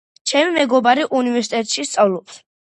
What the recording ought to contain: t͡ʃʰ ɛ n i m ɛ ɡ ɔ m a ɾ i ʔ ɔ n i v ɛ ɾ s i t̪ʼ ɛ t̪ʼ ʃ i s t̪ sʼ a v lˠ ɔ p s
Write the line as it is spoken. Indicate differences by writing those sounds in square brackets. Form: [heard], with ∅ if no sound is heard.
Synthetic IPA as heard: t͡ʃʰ ɛ [m] i m ɛ ɡ ɔ [b] a ɾ i ʔ [u] n i v ɛ ɾ s i t̪ʼ ɛ t̪ʼ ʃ i s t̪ sʼ a v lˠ ɔ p s

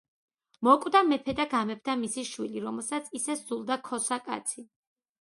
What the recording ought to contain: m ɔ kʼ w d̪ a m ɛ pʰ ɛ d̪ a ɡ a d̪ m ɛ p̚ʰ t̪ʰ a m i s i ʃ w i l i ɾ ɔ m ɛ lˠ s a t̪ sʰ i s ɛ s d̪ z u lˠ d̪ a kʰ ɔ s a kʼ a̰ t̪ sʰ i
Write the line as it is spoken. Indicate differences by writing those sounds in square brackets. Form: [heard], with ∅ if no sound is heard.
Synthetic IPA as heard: m ɔ kʼ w d̪ a m ɛ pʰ ɛ d̪ a ɡ a [∅] m ɛ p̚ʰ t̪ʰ a m i s i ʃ w i l i ɾ ɔ m ɛ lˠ s a t̪ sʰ i s ɛ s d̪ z u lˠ d̪ a kʰ ɔ s a kʼ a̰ t̪ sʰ i

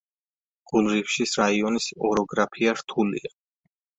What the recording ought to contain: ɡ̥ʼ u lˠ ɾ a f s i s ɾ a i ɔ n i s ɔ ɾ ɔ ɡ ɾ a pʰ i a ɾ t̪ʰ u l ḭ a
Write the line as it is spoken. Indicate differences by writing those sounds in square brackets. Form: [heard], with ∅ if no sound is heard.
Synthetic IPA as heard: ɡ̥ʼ u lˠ ɾ [i] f [ʃ] i s ɾ a i ɔ n i s ɔ ɾ ɔ ɡ ɾ a pʰ i a ɾ t̪ʰ u l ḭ a

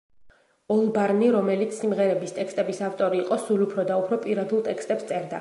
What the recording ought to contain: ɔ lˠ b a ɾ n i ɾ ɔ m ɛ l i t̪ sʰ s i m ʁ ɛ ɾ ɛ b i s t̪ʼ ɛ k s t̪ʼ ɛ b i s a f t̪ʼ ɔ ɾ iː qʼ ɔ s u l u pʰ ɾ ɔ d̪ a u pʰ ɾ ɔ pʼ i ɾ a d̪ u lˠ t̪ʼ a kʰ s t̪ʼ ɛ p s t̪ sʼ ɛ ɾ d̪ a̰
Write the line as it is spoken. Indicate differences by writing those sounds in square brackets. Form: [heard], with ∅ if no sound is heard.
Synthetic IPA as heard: ɔ lˠ b a ɾ n i ɾ ɔ m ɛ l i t̪ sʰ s i m ʁ ɛ ɾ ɛ b i s t̪ʼ ɛ k s t̪ʼ ɛ b i s a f t̪ʼ ɔ ɾ iː qʼ ɔ s u l u pʰ ɾ ɔ d̪ a u pʰ ɾ ɔ pʼ i ɾ a d̪ u lˠ t̪ʼ [ɛ] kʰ s t̪ʼ ɛ p s t̪ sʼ ɛ ɾ d̪ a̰

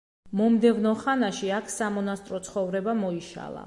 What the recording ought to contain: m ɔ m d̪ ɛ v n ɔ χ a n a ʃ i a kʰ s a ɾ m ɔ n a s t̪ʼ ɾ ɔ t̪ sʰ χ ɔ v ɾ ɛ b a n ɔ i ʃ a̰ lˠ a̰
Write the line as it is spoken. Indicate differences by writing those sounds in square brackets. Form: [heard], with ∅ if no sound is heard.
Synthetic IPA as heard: m ɔ m d̪ ɛ v n ɔ χ a n a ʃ i a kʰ s a [∅] m ɔ n a s t̪ʼ ɾ ɔ t̪ sʰ χ ɔ v ɾ ɛ b a [m] ɔ i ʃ a̰ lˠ a̰

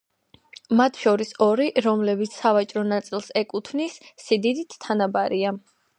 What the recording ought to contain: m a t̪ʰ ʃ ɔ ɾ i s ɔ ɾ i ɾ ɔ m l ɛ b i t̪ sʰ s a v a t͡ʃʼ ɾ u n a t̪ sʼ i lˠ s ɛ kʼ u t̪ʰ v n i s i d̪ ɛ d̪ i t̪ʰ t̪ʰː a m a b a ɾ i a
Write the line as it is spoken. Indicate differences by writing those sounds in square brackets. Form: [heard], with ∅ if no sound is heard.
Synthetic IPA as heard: m a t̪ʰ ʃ ɔ ɾ i s ɔ ɾ i ɾ ɔ m l ɛ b i t̪ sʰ s a v a t͡ʃʼ ɾ [ɔ] n a t̪ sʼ i lˠ s ɛ kʼ u t̪ʰ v n i [sː] i d̪ [i] d̪ i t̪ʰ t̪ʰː a [n] a b a ɾ i a

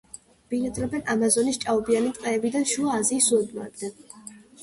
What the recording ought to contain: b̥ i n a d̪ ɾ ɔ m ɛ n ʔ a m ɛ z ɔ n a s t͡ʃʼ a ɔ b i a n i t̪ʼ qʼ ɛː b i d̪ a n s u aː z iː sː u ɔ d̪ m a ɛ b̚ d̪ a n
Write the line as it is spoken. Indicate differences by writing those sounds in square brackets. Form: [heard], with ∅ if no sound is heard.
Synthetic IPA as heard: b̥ i n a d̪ ɾ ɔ [b] ɛ n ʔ a m [a] z ɔ n [i] s t͡ʃʼ a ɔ b i a n i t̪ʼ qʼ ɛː b i d̪ a n [ʃ] u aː z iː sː u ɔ d̪ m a ɛ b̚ d̪ a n

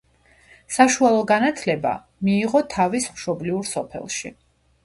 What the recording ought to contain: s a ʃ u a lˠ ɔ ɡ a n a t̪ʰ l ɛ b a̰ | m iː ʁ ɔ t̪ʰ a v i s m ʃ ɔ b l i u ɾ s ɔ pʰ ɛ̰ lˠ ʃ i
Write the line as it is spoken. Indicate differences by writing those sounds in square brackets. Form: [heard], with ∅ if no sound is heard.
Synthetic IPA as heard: s a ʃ u a lˠ ɔ ɡ a n a t̪ʰ l ɛ b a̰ | m iː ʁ ɔ t̪ʰ a v i s m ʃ ɔ b l i u ɾ s ɔ pʰ ɛ̰ lˠ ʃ i

